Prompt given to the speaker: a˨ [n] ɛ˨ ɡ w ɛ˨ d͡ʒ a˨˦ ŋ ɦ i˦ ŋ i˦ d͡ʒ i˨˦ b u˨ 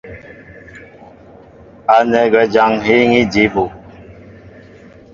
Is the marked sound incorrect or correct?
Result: correct